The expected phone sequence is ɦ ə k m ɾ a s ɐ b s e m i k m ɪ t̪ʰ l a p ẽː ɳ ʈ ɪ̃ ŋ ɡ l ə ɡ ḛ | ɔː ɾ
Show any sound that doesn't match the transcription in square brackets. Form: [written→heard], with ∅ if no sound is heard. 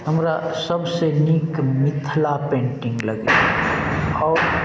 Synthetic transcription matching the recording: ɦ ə [k→∅] m ɾ a s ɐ b s e [m→n] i k m ɪ t̪ʰ l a p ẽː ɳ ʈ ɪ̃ ŋ ɡ l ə ɡ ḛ | ɔː ɾ